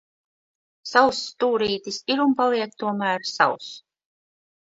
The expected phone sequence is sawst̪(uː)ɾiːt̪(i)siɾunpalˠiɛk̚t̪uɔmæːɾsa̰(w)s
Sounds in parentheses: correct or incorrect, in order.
correct, correct, correct

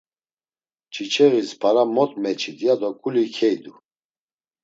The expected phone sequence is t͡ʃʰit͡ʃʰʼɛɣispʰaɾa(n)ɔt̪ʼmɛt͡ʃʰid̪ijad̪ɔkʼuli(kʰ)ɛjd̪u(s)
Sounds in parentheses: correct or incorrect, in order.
incorrect: m, correct, incorrect: none

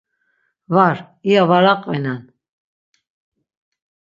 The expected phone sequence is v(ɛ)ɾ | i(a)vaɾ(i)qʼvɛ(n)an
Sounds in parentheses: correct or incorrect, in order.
incorrect: a, correct, incorrect: a, correct

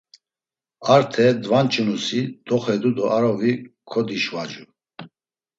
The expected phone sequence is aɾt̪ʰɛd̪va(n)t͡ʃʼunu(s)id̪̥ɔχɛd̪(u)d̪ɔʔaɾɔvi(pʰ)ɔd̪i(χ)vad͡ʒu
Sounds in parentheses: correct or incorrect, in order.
correct, correct, correct, incorrect: kʰ, incorrect: ʃ

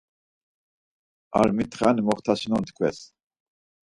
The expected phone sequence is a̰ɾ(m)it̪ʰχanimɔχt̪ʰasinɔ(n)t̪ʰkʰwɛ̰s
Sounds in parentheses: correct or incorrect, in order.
correct, correct

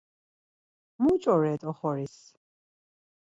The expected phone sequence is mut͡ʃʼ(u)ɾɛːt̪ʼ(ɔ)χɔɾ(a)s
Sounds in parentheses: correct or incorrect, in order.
incorrect: ɔ, correct, incorrect: i

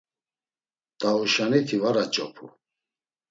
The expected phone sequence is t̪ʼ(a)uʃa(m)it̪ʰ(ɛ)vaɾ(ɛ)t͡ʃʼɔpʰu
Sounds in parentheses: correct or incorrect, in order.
correct, incorrect: n, incorrect: i, incorrect: a

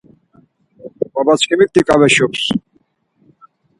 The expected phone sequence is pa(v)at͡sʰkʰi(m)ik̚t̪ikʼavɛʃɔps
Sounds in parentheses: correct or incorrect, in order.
incorrect: b, correct

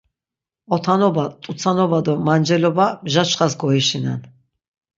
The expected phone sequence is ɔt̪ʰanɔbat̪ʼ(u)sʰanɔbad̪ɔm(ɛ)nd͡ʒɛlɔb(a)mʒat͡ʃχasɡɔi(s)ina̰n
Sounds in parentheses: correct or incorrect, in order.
correct, incorrect: a, correct, incorrect: ʃ

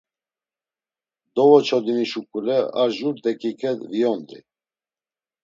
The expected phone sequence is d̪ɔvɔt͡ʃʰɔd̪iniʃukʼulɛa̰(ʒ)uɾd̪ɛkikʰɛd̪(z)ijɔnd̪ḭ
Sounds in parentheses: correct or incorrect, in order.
correct, incorrect: v

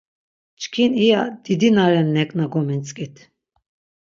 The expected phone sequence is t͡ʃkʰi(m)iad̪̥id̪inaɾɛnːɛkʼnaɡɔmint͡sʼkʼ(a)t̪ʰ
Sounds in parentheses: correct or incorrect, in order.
incorrect: n, incorrect: i

